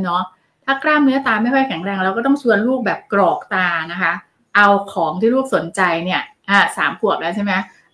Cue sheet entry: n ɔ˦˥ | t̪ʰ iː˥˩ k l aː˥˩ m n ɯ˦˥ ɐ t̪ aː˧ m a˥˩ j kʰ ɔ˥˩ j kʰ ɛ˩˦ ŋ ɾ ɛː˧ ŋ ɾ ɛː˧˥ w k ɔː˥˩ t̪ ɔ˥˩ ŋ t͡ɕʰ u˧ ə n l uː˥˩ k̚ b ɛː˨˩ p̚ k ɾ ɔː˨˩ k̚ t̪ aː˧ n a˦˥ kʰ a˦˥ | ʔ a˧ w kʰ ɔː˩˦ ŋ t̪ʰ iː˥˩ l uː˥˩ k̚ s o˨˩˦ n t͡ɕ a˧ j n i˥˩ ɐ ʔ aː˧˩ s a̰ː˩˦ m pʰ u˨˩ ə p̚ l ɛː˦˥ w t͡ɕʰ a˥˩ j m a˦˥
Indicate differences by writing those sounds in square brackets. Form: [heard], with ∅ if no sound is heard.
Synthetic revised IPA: n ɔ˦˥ | t̪ʰ [aː˥˩] k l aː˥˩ m n ɯ˦˥ ɐ t̪ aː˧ m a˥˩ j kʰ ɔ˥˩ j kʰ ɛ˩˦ ŋ ɾ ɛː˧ ŋ ɾ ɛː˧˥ w k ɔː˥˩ t̪ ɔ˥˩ ŋ t͡ɕʰ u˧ ə n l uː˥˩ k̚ b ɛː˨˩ p̚ k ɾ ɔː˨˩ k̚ t̪ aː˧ n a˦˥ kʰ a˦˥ | ʔ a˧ w kʰ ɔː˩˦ ŋ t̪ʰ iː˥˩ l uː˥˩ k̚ s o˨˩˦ n t͡ɕ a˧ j n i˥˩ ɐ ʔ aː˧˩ s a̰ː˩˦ m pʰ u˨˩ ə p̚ l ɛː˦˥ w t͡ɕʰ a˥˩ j m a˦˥